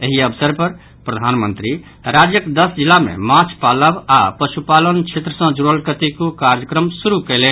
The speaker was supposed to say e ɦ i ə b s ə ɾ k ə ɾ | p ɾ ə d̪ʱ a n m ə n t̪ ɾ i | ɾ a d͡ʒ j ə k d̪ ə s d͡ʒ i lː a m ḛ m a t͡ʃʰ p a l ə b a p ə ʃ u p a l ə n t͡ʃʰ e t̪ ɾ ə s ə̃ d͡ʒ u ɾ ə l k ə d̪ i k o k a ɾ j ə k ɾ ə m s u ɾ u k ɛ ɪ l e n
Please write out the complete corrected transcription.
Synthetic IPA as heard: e ɦ i ə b s ə ɾ p ə ɾ | p ɾ ə d̪ʱ a n m ə n t̪ ɾ i | ɾ a d͡ʒ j ə k d̪ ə s d͡ʒ i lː a m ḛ m a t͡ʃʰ p a l ə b a p ə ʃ u p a l ə n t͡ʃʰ e t̪ ɾ ə s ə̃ d͡ʒ u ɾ ə l k ə t̪ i k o k a ɾ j ə k ɾ ə m s u ɾ u k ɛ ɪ l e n

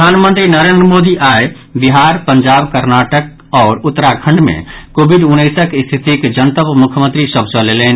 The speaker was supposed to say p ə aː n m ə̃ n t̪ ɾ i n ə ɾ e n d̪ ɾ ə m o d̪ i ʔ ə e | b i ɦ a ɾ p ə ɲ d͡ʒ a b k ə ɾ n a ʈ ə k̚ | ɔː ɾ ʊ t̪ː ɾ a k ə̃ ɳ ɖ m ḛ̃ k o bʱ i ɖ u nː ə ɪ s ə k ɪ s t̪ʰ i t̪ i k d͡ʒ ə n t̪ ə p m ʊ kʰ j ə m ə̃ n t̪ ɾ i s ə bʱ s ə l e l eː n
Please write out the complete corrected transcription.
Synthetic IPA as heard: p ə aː n m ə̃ n t̪ ɾ i n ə ɾ e n d̪ ɾ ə m o d̪ i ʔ a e | b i ɦ a ɾ p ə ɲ d͡ʒ a b k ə ɾ n a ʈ ə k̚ | ɔː ɾ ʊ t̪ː ɾ a kʰ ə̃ ɳ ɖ m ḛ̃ k o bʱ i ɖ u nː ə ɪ s ə k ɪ s t̪ʰ i t̪ i k d͡ʒ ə n t̪ ə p m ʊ kʰ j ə m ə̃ n t̪ ɾ i s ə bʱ s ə l e l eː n

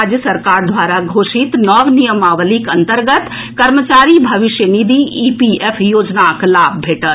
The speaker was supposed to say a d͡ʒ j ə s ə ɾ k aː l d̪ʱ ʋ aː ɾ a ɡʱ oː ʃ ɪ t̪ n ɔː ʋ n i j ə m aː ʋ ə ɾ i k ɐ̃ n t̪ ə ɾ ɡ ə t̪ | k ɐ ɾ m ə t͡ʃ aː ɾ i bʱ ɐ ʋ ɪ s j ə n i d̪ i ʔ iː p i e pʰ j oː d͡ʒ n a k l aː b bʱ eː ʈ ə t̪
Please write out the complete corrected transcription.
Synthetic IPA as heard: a d͡ʒ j ə s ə ɾ k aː ɾ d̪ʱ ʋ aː ɾ a ɡʱ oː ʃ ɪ t̪ n ɔː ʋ n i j ə m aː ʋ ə l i k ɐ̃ n t̪ ə ɾ ɡ ə t̪ | k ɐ ɾ m ə t͡ʃ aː ɾ i bʱ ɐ ʋ ɪ ʃ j ə n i d̪ i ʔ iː p i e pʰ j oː d͡ʒ n a k l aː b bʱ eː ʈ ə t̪

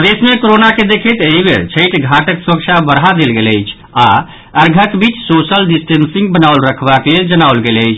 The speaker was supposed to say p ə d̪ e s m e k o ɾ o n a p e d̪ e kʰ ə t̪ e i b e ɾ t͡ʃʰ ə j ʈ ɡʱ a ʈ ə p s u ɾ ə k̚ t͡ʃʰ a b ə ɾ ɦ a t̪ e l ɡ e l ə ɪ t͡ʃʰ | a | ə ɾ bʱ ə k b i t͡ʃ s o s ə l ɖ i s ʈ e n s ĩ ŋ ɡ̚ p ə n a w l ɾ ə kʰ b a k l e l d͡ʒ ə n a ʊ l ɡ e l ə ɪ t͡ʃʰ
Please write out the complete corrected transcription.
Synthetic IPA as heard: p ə d̪ e s m e k o ɾ o n a k e d̪ e kʰ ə t̪ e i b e ɾ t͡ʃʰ ə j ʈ ɡʱ a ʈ ə k s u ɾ ə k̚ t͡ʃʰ a b ə ɾ ɦ a d̪ e l ɡ e l ə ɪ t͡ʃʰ | a | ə ɾ ɡʱ ə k b i t͡ʃ s o s ə l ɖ i s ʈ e n s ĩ ŋ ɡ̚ b ə n a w l ɾ ə kʰ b a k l e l d͡ʒ ə n a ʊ l ɡ e l ə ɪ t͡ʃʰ

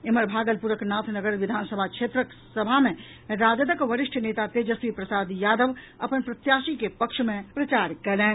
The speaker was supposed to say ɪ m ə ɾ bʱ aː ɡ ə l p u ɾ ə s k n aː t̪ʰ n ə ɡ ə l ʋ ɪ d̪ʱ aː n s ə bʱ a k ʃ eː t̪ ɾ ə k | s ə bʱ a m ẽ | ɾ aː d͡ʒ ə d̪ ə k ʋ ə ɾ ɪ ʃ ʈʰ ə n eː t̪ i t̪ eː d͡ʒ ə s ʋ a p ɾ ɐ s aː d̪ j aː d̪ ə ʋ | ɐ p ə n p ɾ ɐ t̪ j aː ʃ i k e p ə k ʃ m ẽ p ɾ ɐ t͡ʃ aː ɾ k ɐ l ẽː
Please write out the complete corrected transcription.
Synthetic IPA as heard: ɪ m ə ɾ bʱ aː ɡ ə l p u ɾ ə k n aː t̪ʰ n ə ɡ ə ɾ ʋ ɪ d̪ʱ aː n s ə bʱ a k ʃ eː t̪ ɾ ə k | s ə bʱ a m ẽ | ɾ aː d͡ʒ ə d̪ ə k ʋ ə ɾ ɪ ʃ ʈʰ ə n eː t̪ a t̪ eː d͡ʒ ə s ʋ i p ɾ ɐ s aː d̪ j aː d̪ ə ʋ | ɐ p ə n p ɾ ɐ t̪ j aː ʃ i k e p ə k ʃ m ẽ p ɾ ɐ t͡ʃ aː ɾ k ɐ l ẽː

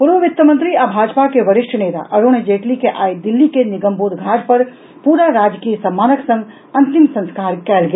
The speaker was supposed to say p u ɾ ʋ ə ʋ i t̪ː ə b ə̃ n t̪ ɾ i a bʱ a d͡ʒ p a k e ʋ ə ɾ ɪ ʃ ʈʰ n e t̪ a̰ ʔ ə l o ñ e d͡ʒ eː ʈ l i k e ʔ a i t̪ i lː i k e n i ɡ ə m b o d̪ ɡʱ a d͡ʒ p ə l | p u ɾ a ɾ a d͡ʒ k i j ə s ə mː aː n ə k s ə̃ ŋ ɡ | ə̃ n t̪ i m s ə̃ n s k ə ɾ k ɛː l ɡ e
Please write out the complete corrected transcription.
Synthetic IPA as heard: p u ɾ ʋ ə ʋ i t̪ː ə m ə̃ n t̪ ɾ i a bʱ a d͡ʒ p a k e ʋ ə ɾ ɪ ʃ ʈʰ n e t̪ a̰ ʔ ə ɾ o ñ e d͡ʒ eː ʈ l i k e ʔ a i d̪ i lː i k e n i ɡ ə m b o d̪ ɡʱ a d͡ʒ p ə ɾ | p u ɾ a ɾ a d͡ʒ k i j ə s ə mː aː n ə k s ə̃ ŋ ɡ | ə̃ n t̪ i m s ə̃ n s k a ɾ k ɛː l ɡ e

